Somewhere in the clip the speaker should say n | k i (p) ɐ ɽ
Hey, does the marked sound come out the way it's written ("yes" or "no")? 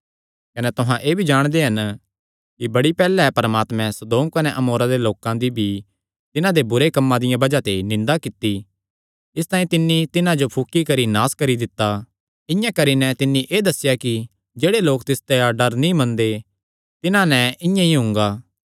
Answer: no